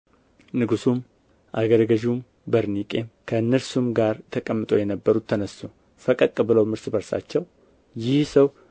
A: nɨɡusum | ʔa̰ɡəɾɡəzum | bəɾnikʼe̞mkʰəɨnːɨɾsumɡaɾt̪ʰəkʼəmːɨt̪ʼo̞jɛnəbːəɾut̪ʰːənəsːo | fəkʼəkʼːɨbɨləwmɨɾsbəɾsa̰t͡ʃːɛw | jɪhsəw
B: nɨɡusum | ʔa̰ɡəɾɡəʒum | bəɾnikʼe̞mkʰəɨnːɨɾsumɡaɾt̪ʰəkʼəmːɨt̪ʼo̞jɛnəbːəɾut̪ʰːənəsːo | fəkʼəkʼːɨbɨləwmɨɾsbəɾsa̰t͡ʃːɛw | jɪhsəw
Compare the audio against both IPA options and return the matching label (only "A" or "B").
B